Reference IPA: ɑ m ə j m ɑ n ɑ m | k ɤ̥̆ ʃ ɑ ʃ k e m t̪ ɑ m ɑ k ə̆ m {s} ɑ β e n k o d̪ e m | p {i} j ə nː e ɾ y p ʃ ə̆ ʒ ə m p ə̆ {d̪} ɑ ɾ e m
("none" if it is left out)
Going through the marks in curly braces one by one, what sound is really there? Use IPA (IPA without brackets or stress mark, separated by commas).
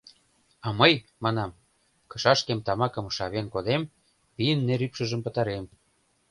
ʃ, i, t̪